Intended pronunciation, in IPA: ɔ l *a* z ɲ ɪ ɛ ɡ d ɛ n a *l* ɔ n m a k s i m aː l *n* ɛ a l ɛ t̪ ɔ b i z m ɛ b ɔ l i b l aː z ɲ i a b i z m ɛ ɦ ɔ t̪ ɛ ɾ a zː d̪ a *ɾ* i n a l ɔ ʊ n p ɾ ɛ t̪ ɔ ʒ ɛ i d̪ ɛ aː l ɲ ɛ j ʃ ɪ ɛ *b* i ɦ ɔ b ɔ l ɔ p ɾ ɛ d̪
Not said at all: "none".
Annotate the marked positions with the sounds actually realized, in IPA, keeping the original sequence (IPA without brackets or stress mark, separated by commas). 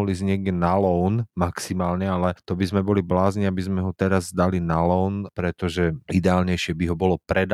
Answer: i, l, ɲ, l, b